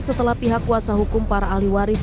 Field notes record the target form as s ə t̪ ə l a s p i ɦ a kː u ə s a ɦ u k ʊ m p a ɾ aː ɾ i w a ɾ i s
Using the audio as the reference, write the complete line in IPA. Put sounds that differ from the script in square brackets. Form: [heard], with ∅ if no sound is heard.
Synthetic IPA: s ə t̪ ə l a [h] p i ɦ a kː u [a] s a ɦ u k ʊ m p a ɾ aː [l] i w a ɾ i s